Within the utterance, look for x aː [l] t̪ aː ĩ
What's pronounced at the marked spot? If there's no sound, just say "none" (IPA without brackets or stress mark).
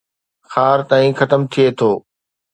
ɾ